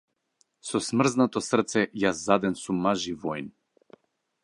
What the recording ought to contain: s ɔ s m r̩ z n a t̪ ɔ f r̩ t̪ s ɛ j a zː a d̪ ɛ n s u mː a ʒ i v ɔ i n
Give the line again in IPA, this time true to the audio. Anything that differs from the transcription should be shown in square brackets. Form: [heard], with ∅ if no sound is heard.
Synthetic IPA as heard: s ɔ s m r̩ z n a t̪ ɔ [s] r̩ t̪ s ɛ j a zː a d̪ ɛ n s u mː a ʒ i v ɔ [j] n